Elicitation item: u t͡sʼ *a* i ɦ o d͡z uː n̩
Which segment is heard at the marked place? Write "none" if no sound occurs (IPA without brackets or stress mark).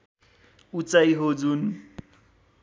a